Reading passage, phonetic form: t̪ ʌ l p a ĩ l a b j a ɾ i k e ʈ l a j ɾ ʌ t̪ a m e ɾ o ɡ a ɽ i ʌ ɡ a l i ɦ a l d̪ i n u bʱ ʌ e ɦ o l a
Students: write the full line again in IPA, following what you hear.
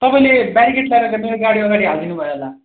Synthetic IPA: t̪ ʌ p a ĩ l e b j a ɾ i k e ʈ l a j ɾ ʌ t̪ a m e ɾ o ɡ a ɽ i ʌ ɡ a ɽ i ɦ a l d̪ i n u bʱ ʌ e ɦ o l a